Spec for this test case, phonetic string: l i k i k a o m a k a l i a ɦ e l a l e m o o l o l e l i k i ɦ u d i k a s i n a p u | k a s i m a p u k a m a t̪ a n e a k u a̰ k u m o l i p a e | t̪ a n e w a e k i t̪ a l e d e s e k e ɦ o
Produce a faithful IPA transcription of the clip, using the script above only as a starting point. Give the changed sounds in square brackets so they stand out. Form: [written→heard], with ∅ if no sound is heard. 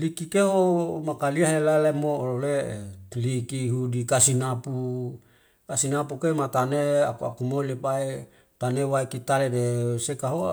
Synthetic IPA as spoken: l i k i k [a→e] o m a k a l i a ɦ e l a l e m o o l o l e l i k i ɦ u d i k a s i n a p u | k a s i [m→n] a p u k [a→e] m a t̪ a n e a k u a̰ k u m o l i p a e | t̪ a n e w a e k i t̪ a l e d e s e k [e→a] ɦ o